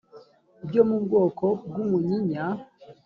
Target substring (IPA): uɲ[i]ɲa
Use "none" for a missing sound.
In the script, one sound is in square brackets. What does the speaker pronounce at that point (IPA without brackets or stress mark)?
i